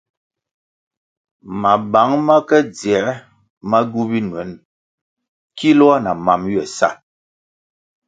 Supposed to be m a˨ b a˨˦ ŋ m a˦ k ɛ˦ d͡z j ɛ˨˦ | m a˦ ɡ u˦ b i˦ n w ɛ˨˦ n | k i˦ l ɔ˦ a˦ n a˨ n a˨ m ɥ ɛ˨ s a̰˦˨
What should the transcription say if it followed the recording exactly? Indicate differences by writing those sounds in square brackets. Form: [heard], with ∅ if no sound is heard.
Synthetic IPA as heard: m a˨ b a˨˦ ŋ m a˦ k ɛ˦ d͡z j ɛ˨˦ | m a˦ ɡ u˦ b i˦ n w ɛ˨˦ n | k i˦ l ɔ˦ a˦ n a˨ [m] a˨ m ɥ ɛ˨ s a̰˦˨